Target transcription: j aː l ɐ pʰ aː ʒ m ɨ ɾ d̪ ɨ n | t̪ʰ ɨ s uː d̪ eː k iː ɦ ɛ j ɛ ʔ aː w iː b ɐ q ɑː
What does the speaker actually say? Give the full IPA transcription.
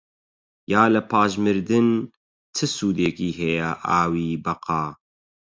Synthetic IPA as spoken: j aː l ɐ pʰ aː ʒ m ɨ ɾ d̪ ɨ n | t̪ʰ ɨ s uː d̪ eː k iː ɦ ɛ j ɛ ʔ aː w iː b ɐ q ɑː